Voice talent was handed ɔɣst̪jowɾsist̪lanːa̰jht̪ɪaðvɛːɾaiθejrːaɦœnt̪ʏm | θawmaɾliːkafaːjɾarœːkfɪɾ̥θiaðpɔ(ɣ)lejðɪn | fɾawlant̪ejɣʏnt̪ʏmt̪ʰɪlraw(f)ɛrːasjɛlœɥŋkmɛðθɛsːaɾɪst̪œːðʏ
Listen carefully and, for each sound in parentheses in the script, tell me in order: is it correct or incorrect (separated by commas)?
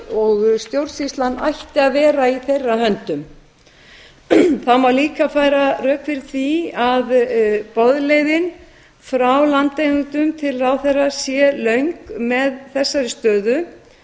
incorrect, incorrect